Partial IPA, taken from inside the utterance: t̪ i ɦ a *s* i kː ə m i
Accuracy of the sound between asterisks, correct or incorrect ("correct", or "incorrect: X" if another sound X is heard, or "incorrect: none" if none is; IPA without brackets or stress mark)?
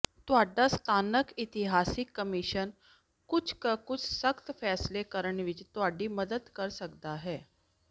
correct